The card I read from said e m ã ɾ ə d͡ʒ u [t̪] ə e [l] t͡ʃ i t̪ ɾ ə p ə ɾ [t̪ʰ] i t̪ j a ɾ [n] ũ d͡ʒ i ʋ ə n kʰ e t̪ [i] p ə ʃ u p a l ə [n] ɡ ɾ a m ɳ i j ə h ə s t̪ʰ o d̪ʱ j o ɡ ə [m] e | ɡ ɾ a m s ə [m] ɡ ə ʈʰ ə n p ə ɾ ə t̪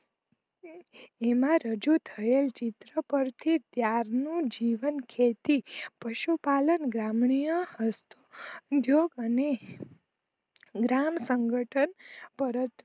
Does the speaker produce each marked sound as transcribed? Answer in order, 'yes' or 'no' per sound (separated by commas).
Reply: no, yes, yes, yes, yes, yes, no, no